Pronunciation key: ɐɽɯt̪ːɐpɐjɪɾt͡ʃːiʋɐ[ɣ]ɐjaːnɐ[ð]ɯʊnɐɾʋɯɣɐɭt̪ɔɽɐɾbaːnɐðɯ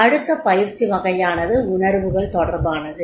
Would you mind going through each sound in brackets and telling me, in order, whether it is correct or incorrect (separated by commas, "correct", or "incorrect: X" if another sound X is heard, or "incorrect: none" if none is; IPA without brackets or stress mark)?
correct, correct